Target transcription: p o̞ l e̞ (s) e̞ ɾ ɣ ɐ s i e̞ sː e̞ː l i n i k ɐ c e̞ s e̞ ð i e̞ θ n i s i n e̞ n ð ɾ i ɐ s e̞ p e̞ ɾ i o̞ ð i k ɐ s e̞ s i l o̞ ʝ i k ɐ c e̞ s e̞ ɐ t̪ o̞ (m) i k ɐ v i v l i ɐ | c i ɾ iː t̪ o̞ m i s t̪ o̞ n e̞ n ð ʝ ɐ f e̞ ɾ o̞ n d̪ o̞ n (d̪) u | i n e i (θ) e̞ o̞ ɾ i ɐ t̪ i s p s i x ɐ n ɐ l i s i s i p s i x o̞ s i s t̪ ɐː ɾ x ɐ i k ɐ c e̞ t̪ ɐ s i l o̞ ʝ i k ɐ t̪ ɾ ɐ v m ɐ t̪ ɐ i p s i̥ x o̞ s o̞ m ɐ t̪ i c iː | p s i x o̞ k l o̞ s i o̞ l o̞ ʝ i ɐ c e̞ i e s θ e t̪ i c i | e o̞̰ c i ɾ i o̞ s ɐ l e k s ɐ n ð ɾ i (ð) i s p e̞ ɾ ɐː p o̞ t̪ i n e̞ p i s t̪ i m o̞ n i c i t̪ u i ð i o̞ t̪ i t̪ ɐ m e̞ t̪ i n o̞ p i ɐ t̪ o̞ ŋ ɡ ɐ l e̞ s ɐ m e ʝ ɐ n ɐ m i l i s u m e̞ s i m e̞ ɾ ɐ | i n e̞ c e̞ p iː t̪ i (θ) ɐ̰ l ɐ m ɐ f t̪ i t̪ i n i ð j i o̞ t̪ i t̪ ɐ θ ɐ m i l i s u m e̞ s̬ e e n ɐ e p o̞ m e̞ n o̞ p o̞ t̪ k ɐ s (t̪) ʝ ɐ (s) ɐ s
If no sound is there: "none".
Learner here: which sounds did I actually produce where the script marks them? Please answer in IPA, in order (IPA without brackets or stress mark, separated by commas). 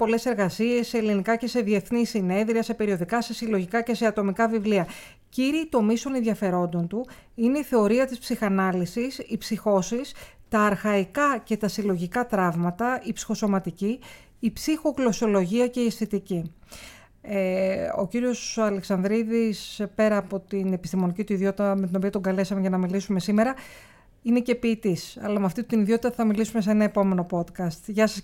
s, m, t̪, θ, ð, s, t̪, s